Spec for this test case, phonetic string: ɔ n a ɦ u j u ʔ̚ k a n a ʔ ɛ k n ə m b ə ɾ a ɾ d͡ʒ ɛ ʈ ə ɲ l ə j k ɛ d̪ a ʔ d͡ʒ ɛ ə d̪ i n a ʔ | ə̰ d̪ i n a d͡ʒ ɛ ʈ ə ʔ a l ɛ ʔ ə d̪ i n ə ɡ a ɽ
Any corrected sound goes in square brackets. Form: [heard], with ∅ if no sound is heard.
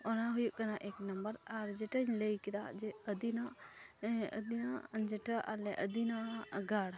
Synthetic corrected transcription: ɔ n a ɦ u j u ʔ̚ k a n a ʔ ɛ k n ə m b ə ɾ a ɾ d͡ʒ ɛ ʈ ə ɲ l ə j k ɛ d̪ a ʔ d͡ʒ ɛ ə d̪ i n a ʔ | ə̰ d̪ i n a d͡ʒ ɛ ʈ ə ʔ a l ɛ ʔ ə d̪ i n [a] ɡ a ɽ